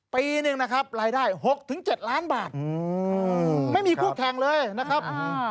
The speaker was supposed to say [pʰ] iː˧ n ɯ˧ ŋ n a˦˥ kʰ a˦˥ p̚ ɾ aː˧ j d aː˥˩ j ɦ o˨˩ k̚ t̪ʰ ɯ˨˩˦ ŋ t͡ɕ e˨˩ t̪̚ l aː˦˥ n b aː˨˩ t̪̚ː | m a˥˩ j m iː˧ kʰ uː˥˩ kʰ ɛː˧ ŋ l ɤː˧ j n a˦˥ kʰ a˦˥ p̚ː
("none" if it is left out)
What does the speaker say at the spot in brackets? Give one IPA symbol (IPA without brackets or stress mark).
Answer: p